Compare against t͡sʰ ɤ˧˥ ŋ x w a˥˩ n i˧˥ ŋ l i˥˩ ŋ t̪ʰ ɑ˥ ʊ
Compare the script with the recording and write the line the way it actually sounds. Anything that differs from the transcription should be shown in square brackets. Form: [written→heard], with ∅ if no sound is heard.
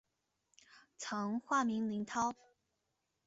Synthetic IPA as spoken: t͡sʰ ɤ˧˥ ŋ x w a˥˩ [n→m] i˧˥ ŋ l [i˥˩→i˧˥] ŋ t̪ʰ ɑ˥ ʊ